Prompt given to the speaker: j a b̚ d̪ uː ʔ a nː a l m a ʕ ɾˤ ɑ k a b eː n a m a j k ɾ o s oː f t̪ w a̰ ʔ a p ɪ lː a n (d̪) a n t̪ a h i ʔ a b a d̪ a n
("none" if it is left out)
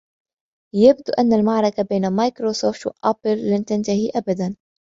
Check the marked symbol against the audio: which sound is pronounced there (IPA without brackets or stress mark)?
t̪